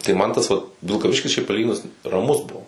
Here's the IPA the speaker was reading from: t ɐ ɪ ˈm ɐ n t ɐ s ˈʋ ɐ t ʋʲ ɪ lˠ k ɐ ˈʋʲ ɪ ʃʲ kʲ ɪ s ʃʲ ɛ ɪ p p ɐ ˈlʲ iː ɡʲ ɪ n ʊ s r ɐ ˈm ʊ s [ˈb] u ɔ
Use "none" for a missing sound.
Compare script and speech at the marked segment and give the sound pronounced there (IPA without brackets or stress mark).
b